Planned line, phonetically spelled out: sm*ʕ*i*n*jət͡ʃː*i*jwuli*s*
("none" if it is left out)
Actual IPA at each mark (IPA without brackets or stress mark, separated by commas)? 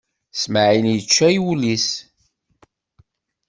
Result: ʕ, n, æ, s